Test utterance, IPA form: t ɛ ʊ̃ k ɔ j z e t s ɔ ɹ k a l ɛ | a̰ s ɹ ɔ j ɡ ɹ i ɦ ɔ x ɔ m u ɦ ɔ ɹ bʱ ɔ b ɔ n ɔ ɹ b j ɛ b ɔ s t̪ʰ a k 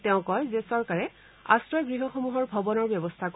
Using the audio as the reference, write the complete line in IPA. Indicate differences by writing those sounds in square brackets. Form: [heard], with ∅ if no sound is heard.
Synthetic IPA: t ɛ ʊ̃ k ɔ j z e [∅] s ɔ ɹ k a [ɹ] ɛ | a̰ s ɹ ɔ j ɡ ɹ i ɦ ɔ x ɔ m u ɦ ɔ ɹ bʱ ɔ b ɔ n ɔ ɹ b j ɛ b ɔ s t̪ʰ a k